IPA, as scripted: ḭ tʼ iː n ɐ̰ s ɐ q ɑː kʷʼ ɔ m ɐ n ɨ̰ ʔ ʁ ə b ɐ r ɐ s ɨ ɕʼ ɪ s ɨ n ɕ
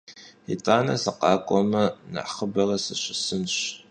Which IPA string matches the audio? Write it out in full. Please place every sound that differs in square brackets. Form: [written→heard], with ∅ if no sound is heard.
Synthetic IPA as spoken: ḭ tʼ [iː→aː] n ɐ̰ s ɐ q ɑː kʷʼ ɔ m ɐ n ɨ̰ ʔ [ʁ→χ] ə b ɐ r ɐ s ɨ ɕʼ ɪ s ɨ n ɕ